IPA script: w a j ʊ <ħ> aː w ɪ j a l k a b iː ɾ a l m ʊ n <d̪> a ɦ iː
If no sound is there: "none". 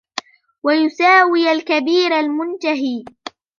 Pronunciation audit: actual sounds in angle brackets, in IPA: s, t̪

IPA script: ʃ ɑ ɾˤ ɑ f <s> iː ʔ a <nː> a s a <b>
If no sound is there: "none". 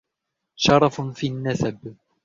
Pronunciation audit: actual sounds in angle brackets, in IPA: f, nː, b

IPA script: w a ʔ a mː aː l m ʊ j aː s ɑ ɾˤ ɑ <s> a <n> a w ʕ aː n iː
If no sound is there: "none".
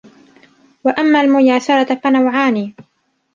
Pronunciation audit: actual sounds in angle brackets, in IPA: f, n

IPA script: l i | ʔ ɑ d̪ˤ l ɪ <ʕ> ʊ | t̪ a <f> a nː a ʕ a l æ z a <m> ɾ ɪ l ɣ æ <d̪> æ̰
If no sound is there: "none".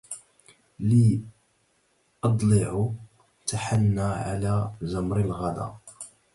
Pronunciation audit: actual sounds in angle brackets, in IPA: ʕ, ħ, m, d̪

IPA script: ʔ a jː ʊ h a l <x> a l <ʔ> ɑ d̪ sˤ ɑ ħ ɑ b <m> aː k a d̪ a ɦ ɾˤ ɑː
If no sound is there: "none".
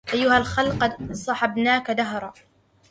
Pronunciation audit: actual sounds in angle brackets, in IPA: x, q, n

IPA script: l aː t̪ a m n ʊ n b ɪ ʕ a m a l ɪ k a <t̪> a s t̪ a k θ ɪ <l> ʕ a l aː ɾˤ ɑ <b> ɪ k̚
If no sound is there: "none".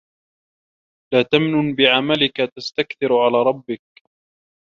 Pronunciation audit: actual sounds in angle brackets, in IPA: t̪, ɾ, bː

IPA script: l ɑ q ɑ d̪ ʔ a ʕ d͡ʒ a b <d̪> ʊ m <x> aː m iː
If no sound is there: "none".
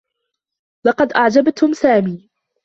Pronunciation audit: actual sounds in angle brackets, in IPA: t̪, s

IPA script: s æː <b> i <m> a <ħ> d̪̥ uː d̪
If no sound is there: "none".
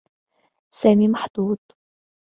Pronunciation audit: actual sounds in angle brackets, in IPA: m, m, ħ

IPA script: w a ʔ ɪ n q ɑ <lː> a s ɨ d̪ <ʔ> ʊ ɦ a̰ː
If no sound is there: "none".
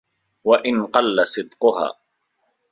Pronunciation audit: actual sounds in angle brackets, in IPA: lː, q

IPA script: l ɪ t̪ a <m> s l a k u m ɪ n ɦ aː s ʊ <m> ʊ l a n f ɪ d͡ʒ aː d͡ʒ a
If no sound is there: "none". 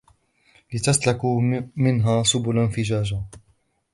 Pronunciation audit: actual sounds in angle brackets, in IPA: none, b

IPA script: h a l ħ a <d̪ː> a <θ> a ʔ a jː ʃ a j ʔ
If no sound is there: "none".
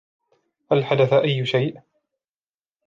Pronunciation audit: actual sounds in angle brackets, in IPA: d̪, θ

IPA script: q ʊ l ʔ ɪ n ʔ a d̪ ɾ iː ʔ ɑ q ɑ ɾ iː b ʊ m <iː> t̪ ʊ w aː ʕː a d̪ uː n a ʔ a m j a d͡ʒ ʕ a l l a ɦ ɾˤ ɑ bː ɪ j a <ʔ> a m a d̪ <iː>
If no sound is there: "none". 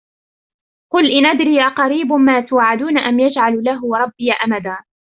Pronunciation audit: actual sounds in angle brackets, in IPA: aː, ʔ, aː

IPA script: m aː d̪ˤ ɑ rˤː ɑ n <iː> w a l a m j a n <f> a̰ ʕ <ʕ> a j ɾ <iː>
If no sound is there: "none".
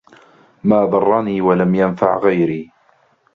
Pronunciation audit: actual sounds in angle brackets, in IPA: iː, f, ɣ, iː

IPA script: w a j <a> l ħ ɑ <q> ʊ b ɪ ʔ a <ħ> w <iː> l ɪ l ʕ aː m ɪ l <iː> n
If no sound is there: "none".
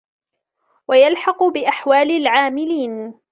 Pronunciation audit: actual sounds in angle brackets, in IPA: a, q, ħ, aː, iː

